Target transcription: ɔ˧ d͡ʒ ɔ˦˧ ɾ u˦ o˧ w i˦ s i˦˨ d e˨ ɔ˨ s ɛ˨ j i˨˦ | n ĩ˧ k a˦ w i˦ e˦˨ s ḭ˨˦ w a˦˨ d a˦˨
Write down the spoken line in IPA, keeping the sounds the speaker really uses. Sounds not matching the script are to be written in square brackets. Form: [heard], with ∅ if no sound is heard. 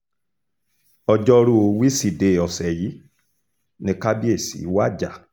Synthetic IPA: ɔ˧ d͡ʒ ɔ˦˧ ɾ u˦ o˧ w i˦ s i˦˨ d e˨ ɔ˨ s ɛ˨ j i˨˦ | n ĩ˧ k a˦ [b] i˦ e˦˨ s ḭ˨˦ w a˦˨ [d͡ʒ] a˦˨